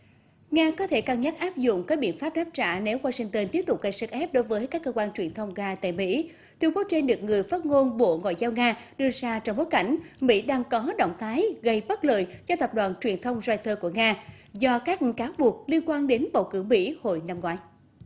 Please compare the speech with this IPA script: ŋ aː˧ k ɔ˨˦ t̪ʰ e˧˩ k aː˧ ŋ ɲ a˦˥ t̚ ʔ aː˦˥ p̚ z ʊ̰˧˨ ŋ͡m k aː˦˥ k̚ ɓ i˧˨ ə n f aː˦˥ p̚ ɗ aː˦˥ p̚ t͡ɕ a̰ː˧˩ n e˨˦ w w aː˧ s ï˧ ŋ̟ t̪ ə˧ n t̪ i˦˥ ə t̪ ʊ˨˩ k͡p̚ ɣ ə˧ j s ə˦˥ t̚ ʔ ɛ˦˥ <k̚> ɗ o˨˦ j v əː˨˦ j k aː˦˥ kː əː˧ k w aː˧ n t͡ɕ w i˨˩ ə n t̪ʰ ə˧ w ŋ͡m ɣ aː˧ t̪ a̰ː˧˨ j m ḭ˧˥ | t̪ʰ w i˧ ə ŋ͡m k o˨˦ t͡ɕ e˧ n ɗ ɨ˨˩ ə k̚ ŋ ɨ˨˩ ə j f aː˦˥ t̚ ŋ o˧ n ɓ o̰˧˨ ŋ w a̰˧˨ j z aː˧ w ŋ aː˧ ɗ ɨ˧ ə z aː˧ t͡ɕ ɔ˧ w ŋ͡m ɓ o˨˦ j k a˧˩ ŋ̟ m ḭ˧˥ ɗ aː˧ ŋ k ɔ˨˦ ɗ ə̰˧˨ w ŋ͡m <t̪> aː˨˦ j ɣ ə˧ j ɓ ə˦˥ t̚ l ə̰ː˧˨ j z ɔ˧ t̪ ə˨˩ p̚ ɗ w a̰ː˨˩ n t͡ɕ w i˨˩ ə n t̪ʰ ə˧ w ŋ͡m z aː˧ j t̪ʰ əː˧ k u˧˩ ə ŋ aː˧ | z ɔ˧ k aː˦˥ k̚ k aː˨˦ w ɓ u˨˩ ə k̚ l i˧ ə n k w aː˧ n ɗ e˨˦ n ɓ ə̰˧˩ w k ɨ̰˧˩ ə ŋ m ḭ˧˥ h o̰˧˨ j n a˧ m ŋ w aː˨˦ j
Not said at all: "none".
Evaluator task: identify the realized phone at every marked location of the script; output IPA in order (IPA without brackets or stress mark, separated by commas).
p̚, t̪ʰ